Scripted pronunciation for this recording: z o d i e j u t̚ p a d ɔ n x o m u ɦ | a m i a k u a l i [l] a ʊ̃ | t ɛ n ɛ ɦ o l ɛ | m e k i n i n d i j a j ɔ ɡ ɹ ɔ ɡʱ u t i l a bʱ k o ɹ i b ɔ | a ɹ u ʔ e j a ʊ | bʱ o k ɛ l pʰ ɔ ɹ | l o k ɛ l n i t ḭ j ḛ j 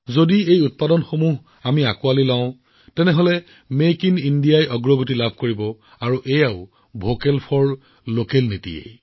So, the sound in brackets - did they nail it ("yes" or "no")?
yes